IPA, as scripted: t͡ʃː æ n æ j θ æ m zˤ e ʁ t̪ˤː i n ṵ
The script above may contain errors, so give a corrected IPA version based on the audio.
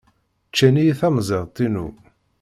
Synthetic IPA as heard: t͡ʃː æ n i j θ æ m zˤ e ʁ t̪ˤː i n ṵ

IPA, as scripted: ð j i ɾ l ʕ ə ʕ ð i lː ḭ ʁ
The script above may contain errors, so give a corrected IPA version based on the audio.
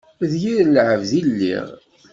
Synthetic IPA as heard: ð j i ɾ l ʕ ə v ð i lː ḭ ʁ

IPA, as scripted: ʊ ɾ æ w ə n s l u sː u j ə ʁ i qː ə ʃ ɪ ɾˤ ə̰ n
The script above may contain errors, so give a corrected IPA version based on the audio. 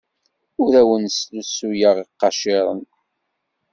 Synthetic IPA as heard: ʊ ɾ æ w ə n s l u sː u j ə ʁ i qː ɑ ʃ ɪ ɾˤ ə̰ n

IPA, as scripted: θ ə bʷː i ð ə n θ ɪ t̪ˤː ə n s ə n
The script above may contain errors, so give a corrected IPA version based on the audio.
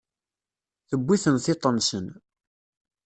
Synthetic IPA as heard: θ ə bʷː i θ ə n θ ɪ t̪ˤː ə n s ə n

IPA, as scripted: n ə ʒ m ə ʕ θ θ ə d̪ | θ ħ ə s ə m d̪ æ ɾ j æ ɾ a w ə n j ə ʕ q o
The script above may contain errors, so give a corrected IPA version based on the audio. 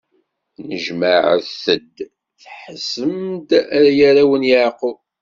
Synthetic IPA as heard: n ə ʒ m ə ʕ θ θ ə d̪ | θ ħ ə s ə m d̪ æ ɾ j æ ɾ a w ə n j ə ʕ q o

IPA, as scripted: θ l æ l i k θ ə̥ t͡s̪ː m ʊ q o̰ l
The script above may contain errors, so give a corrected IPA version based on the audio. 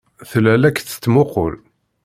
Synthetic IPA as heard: θ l æ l æ k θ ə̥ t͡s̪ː m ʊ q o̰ l

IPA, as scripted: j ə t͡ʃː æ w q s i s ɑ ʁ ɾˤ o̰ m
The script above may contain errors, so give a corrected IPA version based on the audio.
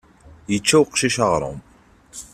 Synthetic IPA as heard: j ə t͡ʃː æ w q ʃ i ʃ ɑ ʁ ɾˤ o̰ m

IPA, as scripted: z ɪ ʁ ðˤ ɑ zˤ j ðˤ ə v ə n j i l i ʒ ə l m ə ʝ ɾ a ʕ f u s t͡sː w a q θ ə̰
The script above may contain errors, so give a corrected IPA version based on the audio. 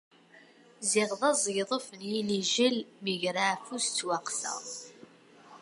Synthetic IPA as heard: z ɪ ʁ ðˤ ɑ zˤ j ðˤ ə f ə n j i l i ʒ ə l m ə ʝ ɾ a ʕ f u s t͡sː w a q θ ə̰

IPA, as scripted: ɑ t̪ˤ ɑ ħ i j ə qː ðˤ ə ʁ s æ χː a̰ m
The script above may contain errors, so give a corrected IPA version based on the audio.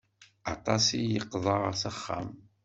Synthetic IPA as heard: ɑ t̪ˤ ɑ s i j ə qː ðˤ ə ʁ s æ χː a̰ m

